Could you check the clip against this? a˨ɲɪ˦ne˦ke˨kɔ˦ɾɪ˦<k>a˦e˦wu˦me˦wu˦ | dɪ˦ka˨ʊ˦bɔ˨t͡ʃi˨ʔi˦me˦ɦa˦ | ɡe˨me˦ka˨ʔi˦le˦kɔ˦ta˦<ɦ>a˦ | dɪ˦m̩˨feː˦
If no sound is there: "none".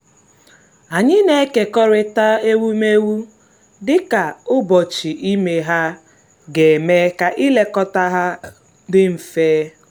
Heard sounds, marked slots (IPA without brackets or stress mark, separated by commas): t, ɦ